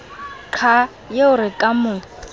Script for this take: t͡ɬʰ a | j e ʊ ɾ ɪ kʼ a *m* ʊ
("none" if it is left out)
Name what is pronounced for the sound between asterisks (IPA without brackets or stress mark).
m